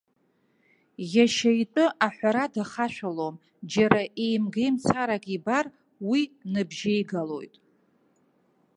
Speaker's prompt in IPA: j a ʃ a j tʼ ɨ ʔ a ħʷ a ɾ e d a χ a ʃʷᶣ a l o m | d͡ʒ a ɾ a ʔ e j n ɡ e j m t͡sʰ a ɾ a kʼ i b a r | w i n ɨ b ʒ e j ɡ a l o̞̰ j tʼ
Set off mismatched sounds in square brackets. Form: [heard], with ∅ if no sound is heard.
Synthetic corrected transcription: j a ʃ a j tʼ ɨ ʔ a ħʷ a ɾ [a] d a χ a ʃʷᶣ a l o m | d͡ʒ a ɾ a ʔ e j [m] ɡ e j m t͡sʰ a ɾ a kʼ i b a r | w i n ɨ b ʒ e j ɡ a l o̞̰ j tʼ